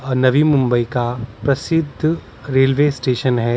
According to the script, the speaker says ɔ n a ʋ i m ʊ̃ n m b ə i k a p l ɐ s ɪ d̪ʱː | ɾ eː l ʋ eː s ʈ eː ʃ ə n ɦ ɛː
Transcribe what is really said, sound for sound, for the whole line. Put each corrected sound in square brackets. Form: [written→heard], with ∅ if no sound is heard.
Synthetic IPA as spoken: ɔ n [a→ɐ] ʋ i m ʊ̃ [n→∅] m b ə i k a p [l→ɾ] ɐ s ɪ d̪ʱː | ɾ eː l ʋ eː s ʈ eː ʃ ə n ɦ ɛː